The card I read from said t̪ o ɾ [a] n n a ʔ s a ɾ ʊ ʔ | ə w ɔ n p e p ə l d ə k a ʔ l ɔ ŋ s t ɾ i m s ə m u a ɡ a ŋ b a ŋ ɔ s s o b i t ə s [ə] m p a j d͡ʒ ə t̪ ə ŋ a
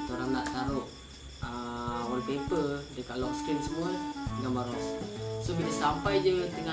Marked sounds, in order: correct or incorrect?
correct, incorrect: a

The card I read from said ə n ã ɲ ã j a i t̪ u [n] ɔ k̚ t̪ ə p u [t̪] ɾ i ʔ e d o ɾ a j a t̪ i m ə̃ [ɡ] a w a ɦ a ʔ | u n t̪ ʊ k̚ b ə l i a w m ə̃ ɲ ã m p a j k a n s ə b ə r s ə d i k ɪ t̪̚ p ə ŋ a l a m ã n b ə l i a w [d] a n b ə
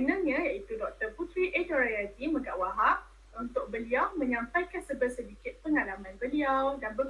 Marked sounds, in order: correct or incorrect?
incorrect: d, correct, correct, correct

